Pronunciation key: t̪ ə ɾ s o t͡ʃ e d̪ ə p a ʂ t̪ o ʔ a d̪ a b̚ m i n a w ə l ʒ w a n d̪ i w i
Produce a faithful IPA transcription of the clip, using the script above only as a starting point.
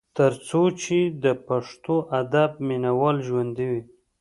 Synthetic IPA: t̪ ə ɾ t͡s o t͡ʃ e d̪ ə p a ʂ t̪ o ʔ a d̪ a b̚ m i n a w ɑ l ʒ w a n d̪ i w i